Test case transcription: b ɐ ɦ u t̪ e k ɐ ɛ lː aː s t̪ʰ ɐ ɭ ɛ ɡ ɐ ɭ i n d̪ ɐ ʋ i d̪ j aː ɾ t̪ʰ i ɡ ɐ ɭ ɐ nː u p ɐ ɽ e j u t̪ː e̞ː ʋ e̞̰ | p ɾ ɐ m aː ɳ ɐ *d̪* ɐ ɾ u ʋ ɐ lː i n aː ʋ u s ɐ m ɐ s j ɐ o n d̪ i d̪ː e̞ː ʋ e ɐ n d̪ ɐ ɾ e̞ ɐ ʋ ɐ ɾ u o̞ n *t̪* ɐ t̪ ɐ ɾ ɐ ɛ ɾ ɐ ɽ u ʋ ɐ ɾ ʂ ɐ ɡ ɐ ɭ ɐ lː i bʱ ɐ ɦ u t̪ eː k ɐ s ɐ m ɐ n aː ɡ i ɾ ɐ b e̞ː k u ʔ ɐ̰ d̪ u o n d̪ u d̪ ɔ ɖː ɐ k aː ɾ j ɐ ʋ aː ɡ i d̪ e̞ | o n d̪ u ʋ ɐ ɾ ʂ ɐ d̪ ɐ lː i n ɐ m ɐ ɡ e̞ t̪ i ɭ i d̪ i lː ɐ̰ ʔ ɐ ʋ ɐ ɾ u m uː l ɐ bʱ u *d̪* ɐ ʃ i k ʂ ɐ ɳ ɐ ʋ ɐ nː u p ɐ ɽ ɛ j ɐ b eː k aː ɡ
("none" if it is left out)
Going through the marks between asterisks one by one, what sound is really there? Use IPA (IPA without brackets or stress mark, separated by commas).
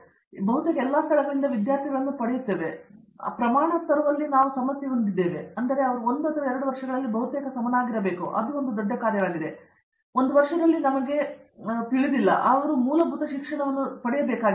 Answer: t̪, d̪, t̪